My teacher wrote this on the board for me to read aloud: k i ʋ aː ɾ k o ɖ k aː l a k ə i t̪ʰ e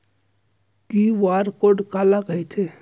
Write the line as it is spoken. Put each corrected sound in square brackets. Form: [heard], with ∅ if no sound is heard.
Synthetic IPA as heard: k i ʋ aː ɾ k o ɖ k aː l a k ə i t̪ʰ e

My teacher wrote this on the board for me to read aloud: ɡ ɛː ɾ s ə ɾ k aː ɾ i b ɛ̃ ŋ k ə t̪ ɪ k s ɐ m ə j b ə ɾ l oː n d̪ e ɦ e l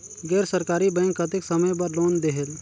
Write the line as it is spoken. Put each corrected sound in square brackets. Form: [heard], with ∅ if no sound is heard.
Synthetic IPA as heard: ɡ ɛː ɾ s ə ɾ k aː ɾ i b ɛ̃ ŋ k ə t̪ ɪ k s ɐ m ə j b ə ɾ l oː n d̪ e ɦ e l

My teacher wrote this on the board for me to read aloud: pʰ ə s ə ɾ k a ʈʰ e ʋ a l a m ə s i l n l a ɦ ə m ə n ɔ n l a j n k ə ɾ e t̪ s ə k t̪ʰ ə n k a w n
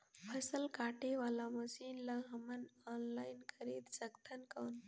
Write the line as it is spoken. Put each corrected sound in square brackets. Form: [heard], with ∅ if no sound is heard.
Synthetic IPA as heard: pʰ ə s ə [l] k a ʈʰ e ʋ a l a m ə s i [∅] n l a ɦ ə m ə n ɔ n l a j n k ə ɾ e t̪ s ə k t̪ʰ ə n k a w n

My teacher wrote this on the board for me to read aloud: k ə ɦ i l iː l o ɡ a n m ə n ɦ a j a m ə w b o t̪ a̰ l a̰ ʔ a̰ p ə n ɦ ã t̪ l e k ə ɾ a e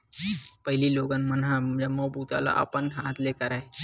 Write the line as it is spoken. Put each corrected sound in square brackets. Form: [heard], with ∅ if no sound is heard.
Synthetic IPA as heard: [p] ə ɦ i l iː l o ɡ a n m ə n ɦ a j a m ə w b [u] t̪ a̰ l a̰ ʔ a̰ p ə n ɦ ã t̪ l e k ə ɾ a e

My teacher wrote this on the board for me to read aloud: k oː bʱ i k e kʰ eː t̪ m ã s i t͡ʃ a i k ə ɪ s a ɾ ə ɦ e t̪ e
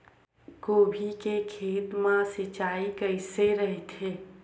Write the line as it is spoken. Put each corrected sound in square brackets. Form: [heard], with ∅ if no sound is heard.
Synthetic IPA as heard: k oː bʱ i k e kʰ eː t̪ m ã s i t͡ʃ a i k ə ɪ s [e] ɾ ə ɦ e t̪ e

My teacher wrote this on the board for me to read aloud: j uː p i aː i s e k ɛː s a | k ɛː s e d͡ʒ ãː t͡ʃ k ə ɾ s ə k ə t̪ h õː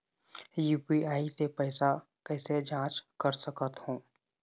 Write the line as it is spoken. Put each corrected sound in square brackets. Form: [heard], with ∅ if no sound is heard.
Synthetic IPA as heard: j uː p i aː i s e [p] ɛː s a | k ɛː s e d͡ʒ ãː t͡ʃ k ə ɾ s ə k ə t̪ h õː

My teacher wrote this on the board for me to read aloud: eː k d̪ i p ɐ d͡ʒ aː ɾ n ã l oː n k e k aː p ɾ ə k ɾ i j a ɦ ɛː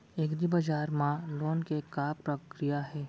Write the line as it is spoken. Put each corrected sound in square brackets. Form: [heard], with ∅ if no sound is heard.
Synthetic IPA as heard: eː k d̪ i [b] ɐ d͡ʒ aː ɾ [m] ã l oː n k e k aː p ɾ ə k ɾ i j a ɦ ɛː

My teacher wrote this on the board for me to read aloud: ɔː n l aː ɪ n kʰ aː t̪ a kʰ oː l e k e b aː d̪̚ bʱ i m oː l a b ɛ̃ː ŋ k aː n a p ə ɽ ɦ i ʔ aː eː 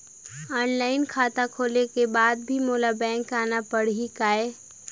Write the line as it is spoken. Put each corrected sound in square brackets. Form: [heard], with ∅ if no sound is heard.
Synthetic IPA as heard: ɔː n l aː ɪ n kʰ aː t̪ a kʰ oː l e k e b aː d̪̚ bʱ i m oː l a b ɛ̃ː ŋ k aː n a p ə ɽ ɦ i [k] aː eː

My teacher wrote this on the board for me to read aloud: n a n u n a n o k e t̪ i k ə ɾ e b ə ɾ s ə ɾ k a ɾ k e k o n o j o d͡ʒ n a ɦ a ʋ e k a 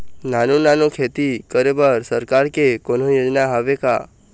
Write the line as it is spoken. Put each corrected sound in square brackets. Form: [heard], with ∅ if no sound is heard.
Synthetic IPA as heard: n a n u n a n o [kʰ] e t̪ i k ə ɾ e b ə ɾ s ə ɾ k a ɾ k e k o n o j o d͡ʒ n a ɦ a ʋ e k a

